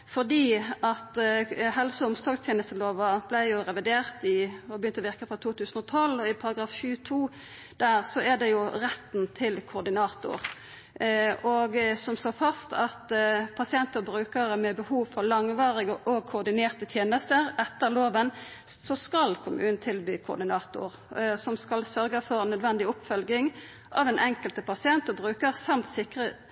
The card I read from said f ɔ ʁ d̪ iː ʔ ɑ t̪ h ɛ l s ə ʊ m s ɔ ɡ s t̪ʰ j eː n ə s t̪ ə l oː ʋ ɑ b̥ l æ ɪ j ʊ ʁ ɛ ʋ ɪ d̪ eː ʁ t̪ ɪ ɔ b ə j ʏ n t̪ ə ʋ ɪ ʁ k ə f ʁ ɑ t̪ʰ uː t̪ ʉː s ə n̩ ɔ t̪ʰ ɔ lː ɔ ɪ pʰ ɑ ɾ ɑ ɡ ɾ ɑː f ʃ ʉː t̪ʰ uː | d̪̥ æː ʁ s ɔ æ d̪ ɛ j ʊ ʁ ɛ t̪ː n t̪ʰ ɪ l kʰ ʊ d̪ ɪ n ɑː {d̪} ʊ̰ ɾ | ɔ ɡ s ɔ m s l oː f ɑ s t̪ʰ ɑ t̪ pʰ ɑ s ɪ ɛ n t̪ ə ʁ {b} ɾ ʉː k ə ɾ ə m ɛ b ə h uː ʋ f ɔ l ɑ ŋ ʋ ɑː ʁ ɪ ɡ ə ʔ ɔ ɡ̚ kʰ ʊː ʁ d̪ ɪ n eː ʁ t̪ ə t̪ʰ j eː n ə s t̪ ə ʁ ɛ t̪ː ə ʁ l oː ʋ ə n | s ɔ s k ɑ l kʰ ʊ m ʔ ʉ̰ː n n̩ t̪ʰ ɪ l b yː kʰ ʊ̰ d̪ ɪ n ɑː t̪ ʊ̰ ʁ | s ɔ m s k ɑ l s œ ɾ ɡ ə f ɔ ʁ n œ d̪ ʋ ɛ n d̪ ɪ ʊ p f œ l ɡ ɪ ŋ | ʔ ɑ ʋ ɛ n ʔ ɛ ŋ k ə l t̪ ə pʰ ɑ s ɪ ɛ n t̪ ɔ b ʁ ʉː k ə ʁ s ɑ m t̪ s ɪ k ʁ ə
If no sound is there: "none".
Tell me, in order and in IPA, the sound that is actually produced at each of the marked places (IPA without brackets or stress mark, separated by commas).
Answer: t̪, b